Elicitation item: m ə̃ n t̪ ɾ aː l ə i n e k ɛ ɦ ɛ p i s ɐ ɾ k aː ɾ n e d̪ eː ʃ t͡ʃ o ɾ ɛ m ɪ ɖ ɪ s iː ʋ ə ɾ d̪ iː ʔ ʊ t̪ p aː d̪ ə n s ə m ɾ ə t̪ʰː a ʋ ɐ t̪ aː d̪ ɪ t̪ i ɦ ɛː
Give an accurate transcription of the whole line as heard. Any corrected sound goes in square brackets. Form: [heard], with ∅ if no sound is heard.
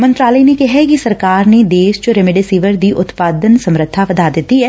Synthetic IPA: m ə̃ n t̪ ɾ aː l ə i n e k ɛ ɦ ɛ [k] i s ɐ ɾ k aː ɾ n e d̪ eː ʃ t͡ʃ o ɾ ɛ m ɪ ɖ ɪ s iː ʋ ə ɾ d̪ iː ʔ ʊ t̪ p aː d̪ ə n s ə m ɾ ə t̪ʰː a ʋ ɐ [d̪] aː d̪ ɪ t̪ i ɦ ɛː